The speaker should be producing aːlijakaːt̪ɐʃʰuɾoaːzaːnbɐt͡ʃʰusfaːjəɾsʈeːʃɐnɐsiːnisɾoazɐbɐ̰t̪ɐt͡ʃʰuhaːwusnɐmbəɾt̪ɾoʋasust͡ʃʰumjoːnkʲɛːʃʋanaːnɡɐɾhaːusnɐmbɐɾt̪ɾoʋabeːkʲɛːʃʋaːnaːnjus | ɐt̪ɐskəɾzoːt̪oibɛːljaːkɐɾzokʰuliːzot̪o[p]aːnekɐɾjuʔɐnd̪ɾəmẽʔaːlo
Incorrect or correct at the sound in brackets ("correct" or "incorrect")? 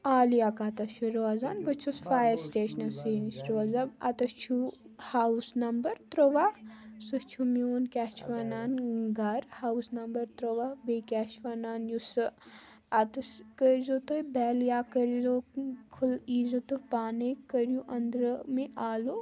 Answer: correct